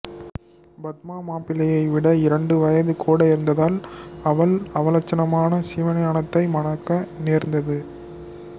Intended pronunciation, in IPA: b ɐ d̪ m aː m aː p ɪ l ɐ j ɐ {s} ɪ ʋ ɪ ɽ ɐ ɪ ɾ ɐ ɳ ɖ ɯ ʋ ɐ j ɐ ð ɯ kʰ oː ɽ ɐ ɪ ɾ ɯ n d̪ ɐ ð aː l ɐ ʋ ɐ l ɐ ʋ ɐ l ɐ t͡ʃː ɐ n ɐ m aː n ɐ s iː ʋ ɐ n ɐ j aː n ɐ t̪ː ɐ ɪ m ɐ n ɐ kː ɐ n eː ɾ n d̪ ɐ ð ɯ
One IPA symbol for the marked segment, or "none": none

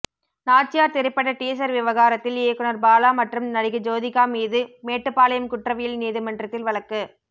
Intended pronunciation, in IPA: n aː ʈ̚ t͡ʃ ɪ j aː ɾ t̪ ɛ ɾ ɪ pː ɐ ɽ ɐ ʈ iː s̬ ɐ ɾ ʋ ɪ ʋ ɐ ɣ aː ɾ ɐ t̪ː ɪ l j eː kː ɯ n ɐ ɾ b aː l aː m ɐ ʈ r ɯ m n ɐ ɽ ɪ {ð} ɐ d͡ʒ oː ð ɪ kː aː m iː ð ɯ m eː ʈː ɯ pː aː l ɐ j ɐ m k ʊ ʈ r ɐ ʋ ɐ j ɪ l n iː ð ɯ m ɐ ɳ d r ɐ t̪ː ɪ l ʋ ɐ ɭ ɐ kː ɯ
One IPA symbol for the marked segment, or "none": ɣ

